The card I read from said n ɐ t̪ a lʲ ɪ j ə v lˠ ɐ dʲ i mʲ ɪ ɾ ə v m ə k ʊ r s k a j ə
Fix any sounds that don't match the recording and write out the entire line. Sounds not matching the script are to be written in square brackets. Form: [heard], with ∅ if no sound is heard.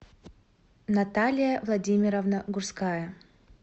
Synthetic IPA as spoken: n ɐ t̪ a lʲ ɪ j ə v lˠ ɐ dʲ i mʲ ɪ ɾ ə v [n] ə [ɡ] ʊ r s k a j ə